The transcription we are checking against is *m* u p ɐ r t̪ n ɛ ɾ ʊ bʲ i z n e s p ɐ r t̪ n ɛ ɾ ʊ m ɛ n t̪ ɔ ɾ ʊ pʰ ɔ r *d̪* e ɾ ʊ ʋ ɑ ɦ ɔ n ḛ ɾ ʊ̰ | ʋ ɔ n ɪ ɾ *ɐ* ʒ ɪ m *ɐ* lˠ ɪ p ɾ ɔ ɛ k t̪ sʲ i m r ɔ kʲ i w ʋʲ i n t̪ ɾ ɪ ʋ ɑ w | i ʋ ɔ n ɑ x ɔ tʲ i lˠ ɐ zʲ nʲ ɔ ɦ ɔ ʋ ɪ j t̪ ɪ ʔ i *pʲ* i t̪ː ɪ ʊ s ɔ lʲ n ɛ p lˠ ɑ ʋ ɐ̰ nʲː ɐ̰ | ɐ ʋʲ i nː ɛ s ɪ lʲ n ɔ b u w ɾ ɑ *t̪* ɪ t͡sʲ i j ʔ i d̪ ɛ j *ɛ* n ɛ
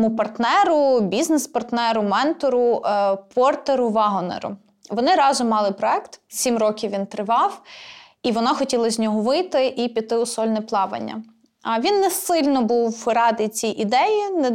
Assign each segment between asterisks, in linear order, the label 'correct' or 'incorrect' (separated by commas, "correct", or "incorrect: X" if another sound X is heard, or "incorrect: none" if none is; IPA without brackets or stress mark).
correct, incorrect: t̪, incorrect: ɑ, incorrect: ɑ, correct, incorrect: d̪, incorrect: i